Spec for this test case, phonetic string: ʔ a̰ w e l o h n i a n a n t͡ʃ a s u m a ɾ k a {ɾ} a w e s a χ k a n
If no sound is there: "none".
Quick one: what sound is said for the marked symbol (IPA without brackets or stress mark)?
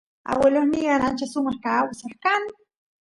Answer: none